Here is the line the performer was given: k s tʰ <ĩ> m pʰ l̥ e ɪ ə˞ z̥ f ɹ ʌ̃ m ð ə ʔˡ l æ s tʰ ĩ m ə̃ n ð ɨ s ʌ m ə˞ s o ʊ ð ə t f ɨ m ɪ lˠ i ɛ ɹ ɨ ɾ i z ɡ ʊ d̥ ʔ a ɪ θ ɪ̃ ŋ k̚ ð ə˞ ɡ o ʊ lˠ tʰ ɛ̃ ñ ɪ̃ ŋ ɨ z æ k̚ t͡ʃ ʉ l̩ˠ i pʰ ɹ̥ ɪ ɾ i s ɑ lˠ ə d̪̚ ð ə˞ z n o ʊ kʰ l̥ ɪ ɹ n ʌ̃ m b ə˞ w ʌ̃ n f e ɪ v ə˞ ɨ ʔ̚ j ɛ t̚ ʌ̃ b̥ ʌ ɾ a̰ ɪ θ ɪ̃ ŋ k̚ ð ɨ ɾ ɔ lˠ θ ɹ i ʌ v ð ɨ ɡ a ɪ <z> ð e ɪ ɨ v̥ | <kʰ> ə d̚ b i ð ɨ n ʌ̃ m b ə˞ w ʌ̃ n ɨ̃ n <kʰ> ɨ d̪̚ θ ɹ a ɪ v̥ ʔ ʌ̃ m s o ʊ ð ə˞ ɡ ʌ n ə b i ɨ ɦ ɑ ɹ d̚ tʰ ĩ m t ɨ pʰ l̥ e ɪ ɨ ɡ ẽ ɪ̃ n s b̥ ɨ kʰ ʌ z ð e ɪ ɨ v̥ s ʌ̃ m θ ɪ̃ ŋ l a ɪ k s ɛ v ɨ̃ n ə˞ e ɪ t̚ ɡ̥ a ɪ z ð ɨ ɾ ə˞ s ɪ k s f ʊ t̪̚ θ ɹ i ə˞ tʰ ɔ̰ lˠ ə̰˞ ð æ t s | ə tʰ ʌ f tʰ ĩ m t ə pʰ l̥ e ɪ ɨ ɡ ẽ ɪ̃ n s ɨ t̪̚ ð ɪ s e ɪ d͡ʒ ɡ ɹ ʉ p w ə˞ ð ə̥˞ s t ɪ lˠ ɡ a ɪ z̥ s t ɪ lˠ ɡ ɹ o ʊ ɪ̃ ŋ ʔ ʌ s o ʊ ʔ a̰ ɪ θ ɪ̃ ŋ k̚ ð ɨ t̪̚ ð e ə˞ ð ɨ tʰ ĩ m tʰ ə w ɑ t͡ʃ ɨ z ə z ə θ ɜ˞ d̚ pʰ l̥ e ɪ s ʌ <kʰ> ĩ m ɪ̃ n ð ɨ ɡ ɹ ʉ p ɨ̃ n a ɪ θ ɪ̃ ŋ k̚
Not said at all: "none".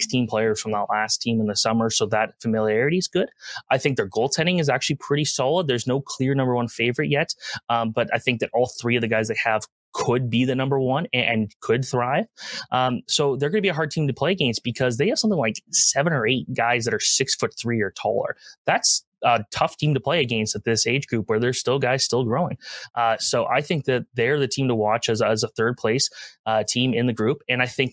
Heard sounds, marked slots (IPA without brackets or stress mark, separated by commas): ĩ, z, kʰ, kʰ, tʰ